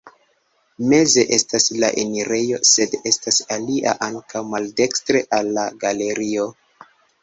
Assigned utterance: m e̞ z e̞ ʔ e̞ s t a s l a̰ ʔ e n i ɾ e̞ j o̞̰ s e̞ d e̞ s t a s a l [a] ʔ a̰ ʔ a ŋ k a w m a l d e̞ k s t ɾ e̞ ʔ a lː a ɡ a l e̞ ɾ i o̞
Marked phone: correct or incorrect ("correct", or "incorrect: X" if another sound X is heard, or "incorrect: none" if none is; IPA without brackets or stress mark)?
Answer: incorrect: i